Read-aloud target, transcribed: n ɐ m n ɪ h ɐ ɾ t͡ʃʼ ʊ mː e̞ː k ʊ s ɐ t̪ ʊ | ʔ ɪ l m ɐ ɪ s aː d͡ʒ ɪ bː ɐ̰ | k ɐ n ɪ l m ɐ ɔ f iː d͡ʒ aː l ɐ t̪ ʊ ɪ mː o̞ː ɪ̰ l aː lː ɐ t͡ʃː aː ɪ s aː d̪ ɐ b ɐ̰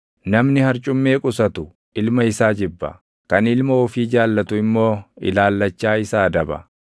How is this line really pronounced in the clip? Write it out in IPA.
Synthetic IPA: n ɐ m n ɪ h ɐ ɾ t͡ʃʼ ʊ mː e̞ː kʼ ʊ s ɐ t̪ ʊ | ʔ ɪ l m ɐ ɪ s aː d͡ʒ ɪ bː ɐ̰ | k ɐ n ɪ l m ɐ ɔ f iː d͡ʒ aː lː ɐ t̪ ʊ ɪ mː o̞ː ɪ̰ l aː lː ɐ t͡ʃː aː ɪ s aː d̪ ɐ b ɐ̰